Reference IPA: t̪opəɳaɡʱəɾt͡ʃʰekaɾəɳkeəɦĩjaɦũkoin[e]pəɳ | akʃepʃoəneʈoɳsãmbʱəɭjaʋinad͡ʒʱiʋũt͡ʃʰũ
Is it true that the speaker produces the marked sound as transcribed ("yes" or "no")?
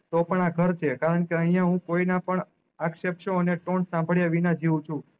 no